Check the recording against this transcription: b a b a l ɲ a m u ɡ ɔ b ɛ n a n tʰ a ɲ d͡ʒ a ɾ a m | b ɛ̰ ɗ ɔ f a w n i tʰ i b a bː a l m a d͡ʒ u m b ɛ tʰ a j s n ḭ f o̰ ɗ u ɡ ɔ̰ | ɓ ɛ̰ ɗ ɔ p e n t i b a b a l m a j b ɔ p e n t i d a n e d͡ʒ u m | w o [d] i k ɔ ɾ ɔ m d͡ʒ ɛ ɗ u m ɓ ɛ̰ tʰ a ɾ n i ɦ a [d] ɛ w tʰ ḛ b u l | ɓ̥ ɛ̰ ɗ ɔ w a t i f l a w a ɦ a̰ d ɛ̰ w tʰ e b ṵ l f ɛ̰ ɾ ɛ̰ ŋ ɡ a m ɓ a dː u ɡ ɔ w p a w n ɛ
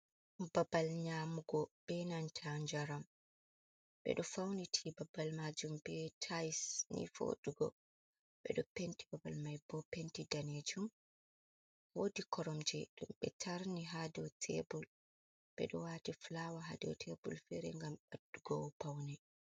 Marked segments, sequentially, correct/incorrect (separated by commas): correct, correct